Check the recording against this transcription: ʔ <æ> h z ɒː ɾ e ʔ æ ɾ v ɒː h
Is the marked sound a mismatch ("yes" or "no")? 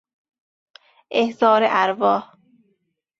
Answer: yes